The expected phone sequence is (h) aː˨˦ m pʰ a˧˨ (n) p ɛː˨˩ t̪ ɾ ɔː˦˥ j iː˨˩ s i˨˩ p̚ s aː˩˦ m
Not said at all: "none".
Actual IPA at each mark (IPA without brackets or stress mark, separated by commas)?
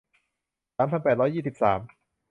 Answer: s, n